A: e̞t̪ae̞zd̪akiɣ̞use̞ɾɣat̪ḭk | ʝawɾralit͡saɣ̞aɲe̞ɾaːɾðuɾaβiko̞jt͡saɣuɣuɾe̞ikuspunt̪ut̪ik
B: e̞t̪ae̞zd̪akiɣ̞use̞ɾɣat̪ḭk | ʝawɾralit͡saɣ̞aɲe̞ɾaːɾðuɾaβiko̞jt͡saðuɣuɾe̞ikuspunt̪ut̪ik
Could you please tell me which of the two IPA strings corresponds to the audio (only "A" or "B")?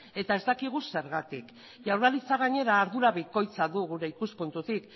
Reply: B